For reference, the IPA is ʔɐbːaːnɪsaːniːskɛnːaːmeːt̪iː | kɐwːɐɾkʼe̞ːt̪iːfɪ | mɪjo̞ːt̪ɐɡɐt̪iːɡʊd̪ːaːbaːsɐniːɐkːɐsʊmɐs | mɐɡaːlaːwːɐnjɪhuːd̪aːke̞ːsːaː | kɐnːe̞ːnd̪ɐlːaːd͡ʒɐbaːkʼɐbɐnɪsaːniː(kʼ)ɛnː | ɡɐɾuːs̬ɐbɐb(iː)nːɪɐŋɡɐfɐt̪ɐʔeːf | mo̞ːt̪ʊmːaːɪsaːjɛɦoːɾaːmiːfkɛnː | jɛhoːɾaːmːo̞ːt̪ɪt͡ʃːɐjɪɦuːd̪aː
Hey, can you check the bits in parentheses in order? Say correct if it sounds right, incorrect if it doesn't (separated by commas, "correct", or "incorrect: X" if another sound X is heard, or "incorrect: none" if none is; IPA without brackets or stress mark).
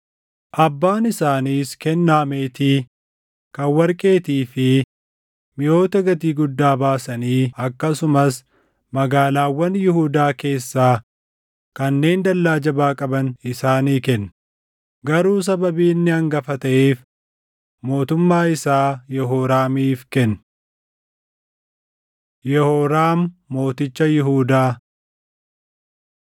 incorrect: k, correct